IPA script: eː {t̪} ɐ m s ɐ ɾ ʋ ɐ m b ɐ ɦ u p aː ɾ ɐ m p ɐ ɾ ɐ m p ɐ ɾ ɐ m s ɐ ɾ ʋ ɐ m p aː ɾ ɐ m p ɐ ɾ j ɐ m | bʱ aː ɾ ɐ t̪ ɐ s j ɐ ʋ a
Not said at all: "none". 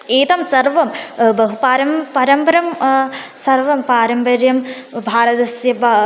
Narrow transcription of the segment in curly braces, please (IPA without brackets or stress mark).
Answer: t̪